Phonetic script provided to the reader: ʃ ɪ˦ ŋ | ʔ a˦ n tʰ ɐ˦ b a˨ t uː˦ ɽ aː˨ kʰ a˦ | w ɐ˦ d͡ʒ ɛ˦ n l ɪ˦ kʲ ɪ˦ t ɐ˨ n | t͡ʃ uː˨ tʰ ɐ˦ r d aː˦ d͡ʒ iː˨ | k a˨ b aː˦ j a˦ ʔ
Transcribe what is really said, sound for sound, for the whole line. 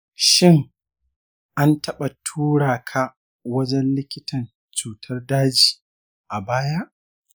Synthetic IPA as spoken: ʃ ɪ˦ ŋ | ʔ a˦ n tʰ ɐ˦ ɓ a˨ tʰ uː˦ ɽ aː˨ kʰ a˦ | w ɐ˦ d͡ʒ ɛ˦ n l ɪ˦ kʲ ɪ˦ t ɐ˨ n | t͡ʃ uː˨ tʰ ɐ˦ r d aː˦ d͡ʒ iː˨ | ʔ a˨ b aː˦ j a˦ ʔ

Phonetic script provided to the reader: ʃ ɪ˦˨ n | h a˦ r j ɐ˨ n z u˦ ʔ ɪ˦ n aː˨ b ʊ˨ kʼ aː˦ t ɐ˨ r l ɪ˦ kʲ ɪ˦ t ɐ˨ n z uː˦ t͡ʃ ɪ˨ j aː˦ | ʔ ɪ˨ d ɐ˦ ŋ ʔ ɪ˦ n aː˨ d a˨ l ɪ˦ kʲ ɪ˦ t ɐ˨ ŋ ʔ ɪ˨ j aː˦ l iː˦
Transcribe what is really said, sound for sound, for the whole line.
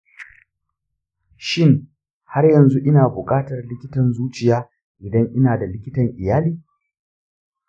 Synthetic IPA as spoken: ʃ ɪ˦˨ ŋ | h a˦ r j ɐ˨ n z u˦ ʔ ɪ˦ n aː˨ b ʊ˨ kʼ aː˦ t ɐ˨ r l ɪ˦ kʲ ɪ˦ t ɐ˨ n z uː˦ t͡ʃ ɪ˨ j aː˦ | ʔ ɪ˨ d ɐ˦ ŋ ʔ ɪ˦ n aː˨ d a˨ l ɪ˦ kʲ ɪ˦ t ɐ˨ ŋ ʔ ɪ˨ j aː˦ l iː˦

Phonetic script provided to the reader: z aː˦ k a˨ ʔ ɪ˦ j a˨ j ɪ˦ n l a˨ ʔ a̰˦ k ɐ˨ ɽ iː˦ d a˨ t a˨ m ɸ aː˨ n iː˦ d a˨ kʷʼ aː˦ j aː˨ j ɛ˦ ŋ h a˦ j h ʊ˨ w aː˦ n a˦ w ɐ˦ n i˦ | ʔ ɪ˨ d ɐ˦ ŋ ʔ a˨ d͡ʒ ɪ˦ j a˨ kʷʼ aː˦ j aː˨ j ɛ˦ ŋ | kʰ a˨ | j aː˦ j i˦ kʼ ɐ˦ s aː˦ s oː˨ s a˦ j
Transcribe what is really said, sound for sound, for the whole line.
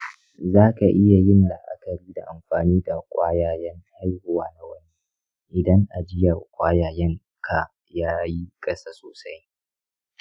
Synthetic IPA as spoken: z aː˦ k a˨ ʔ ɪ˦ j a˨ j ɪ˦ n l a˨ ʔ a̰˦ k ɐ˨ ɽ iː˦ d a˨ ʔ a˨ m ɸ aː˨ n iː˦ d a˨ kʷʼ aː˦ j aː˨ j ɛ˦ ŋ h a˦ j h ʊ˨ w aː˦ n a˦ w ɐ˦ n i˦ | ʔ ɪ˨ d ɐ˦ ŋ ʔ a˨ d͡ʒ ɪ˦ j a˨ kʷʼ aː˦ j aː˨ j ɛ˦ ŋ | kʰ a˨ | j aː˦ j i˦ kʼ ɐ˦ s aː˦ s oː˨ s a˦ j

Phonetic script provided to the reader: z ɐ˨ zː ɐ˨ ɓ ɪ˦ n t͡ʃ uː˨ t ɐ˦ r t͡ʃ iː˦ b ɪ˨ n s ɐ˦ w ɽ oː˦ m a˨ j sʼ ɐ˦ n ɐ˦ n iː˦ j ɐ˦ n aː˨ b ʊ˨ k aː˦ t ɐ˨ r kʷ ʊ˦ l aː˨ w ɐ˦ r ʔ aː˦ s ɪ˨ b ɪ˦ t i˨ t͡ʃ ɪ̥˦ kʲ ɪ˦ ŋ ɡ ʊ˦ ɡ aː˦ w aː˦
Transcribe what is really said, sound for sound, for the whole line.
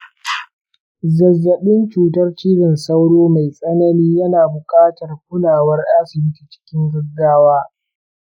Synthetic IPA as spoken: z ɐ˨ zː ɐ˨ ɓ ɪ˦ n t͡ʃ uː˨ t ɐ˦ r t͡ʃ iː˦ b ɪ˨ n s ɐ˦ w ɽ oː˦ m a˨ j sʼ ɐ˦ n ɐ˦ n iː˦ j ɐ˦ n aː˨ b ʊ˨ kʼ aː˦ t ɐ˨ r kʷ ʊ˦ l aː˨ w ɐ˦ r ʔ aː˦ s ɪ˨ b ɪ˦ t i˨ t͡ʃ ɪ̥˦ kʲ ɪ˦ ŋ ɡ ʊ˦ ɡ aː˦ w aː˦

